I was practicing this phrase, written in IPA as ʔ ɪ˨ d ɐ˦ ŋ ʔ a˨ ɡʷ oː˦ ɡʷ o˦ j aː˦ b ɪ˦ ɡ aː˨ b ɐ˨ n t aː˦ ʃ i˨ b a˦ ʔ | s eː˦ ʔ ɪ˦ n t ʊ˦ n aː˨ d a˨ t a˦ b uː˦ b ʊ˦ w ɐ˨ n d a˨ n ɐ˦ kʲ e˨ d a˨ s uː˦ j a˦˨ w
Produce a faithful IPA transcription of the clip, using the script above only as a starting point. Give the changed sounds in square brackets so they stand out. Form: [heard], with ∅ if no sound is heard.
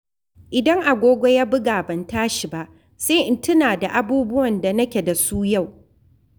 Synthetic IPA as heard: ʔ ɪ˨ d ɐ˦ ŋ ʔ a˨ ɡʷ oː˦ ɡʷ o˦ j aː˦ b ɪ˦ ɡ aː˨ b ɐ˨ n t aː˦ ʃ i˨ b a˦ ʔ | s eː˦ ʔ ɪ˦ n t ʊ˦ n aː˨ d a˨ [ʔ] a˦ b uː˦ b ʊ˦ w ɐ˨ n d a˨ n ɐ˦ kʲ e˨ d a˨ s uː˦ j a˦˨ w